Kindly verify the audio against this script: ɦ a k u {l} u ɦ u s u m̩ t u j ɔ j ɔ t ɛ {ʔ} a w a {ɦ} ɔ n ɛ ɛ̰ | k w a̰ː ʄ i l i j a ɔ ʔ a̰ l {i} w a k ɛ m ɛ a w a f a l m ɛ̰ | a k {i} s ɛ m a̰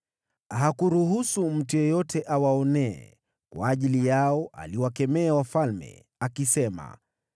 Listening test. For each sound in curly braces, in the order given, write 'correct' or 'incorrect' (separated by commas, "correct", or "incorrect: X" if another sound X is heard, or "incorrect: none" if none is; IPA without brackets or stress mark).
incorrect: ɾ, correct, incorrect: none, correct, correct